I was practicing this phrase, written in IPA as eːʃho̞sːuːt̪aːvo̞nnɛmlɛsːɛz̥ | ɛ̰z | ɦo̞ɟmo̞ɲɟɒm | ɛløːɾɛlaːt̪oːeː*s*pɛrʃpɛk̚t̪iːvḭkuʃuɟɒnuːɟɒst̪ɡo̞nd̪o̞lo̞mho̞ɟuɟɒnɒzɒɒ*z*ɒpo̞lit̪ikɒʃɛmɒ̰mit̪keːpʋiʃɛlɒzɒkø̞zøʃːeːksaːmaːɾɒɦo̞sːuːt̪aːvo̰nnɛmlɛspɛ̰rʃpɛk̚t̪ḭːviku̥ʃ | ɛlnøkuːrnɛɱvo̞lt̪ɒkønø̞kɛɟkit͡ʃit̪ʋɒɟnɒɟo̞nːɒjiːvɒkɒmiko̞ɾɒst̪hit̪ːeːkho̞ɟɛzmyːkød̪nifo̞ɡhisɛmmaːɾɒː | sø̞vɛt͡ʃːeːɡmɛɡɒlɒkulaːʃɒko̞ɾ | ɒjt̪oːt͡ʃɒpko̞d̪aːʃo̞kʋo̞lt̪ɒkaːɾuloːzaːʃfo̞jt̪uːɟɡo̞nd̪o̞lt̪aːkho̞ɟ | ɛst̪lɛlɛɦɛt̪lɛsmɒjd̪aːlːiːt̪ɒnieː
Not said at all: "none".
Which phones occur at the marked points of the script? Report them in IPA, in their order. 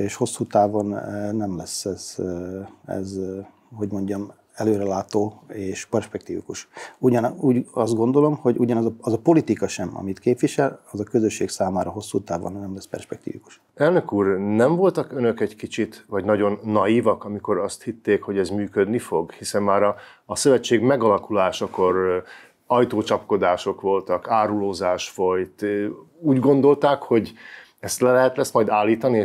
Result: ʃ, z

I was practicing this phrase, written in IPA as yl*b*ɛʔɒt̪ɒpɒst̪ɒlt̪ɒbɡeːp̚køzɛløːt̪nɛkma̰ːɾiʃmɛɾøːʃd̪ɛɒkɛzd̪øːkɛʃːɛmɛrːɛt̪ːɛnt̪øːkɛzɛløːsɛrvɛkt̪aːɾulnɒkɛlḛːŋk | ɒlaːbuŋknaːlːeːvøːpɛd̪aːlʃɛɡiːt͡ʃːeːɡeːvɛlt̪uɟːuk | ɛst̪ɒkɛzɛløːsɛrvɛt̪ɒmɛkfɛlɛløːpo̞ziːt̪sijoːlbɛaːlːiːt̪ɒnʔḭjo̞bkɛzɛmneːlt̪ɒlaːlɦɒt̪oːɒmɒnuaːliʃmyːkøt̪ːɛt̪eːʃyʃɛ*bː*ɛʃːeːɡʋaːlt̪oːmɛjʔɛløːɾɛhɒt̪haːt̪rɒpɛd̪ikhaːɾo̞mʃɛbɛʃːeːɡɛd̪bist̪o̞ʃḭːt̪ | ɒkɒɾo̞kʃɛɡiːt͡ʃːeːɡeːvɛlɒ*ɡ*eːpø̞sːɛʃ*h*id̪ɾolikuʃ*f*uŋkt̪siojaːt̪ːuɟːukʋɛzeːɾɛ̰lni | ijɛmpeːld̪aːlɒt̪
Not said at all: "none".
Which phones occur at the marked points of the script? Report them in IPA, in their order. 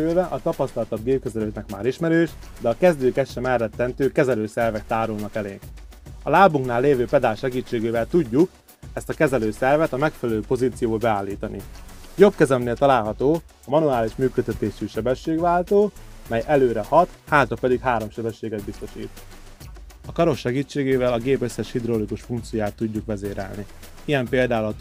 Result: v, b, ɡ, h, f

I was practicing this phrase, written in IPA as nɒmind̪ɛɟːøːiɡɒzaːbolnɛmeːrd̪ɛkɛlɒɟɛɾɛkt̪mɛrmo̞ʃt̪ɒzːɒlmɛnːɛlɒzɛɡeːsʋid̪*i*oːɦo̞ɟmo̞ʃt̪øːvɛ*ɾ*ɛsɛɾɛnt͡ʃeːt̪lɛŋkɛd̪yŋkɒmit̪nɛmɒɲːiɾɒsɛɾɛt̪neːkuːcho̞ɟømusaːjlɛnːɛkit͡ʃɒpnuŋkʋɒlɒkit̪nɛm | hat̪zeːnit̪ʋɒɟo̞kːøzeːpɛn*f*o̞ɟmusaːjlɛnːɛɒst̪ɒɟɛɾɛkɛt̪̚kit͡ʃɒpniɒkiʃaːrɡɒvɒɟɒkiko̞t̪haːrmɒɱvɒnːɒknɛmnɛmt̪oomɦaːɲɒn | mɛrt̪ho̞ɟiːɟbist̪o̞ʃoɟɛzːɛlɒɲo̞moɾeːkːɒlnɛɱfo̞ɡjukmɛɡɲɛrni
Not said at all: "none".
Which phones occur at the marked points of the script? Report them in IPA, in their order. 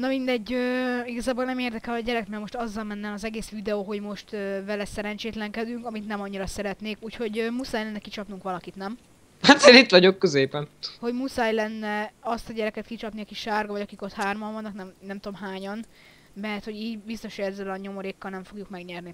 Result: ɛ, l, h

